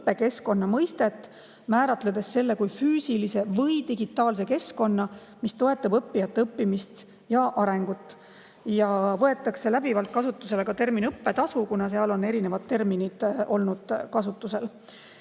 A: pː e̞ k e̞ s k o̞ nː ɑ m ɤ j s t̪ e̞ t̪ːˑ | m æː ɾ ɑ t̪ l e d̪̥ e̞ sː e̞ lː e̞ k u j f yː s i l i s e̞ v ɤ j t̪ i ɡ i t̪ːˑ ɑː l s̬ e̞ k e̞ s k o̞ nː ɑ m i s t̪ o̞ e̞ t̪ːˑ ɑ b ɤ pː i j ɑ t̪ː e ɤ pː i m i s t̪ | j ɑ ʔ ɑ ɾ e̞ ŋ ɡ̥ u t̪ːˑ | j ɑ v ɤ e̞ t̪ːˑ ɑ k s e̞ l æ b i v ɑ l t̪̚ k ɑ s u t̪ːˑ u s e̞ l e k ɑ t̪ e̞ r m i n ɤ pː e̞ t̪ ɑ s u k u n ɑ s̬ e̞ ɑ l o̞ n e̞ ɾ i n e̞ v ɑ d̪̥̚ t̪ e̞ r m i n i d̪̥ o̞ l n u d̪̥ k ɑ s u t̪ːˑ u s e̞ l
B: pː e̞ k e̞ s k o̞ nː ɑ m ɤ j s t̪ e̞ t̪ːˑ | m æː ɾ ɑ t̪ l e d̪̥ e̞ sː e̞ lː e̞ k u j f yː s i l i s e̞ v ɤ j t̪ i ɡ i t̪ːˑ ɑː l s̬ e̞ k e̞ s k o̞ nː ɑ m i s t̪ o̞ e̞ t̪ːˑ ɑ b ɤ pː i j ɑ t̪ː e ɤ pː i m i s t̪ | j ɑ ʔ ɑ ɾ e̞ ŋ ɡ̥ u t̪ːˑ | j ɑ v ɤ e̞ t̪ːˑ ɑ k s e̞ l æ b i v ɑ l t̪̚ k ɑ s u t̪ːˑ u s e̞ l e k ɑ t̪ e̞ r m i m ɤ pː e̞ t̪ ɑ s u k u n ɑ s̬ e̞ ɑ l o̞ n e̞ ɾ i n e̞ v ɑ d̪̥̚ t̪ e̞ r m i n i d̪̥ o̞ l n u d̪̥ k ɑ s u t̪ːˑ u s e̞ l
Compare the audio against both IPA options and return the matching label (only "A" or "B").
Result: A